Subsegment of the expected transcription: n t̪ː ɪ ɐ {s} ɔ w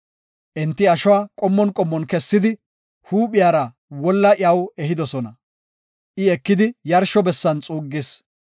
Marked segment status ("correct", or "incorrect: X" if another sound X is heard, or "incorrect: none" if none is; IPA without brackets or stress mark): incorrect: ʃ